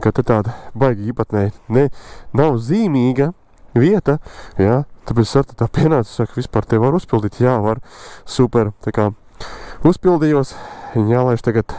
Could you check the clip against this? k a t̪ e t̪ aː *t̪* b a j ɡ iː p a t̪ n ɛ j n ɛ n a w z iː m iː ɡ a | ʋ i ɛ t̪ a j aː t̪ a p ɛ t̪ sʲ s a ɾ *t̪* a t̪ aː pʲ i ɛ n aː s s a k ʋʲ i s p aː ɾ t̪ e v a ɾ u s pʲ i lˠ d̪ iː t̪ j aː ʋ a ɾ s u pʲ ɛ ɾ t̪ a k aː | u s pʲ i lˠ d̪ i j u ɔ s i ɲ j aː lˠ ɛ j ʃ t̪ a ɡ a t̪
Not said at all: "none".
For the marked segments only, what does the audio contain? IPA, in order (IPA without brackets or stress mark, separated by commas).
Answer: d̪, t̪